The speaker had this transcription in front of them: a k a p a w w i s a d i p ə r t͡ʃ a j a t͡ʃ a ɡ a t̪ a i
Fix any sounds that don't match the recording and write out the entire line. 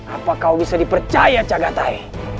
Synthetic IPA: a p a k a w b i s a d i p ə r t͡ʃ a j a t͡ʃ a ɡ a t̪ a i